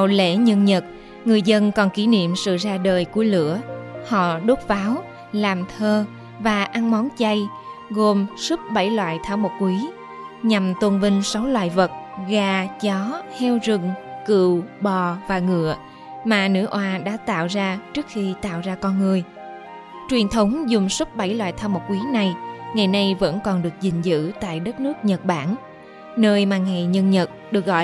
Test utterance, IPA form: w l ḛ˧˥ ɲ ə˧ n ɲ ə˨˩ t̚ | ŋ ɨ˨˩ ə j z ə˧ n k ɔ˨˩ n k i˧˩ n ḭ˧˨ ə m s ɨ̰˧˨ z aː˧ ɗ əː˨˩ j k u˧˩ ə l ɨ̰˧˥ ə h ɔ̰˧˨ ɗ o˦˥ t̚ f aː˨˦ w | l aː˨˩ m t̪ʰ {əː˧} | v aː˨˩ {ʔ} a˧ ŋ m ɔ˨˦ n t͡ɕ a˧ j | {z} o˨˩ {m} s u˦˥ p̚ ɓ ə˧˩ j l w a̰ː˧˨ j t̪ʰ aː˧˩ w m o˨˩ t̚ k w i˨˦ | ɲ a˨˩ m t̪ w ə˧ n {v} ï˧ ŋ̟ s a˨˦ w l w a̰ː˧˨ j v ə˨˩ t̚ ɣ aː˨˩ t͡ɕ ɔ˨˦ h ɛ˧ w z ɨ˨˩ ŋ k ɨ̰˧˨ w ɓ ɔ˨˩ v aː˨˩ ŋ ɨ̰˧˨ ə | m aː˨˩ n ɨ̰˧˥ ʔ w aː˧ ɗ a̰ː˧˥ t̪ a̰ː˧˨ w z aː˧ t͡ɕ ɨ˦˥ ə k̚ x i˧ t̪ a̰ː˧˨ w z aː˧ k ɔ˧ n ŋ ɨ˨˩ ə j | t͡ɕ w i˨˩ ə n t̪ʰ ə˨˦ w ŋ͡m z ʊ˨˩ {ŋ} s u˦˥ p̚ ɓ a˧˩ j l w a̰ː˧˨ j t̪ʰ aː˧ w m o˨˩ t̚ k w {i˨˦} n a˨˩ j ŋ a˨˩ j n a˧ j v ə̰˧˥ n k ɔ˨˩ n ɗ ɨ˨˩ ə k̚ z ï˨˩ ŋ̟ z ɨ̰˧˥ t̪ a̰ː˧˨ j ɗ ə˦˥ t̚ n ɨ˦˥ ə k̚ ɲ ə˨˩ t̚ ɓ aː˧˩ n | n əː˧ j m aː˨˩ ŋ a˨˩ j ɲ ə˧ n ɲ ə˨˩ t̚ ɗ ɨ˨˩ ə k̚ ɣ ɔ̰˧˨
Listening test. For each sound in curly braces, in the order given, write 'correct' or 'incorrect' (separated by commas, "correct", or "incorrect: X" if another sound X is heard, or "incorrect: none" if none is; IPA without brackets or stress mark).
correct, correct, incorrect: ɣ, correct, correct, incorrect: ŋ͡m, correct